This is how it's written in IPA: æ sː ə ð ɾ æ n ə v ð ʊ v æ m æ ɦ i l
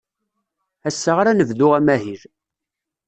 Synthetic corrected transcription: æ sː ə ʁ ɾ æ n ə v ð ʊ ʁ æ m æ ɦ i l